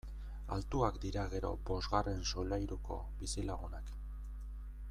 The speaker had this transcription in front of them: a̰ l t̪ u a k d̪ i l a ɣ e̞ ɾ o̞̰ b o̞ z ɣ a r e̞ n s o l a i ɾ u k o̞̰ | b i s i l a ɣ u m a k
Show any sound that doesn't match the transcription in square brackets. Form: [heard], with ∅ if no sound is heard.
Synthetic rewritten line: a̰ l t̪ u a k d̪ i [ɾ] a ɣ e̞ ɾ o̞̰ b o̞ z ɣ a r e̞ n s o l a [j] ɾ u k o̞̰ | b i s i l a ɣ u [n] a k